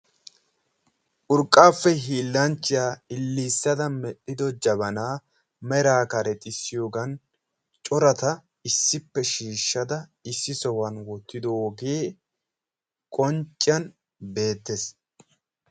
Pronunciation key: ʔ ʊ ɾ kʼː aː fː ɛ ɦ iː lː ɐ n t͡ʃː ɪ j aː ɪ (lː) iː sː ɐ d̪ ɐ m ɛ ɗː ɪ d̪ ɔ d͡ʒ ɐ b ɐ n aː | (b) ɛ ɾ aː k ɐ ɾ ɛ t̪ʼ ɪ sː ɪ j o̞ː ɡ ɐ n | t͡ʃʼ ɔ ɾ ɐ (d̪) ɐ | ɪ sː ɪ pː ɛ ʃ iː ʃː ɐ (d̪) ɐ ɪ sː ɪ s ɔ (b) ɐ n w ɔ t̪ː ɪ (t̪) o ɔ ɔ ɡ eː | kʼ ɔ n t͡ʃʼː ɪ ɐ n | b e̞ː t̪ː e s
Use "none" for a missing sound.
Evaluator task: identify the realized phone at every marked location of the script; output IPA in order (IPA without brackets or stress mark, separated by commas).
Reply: lː, m, t̪, d̪, w, d̪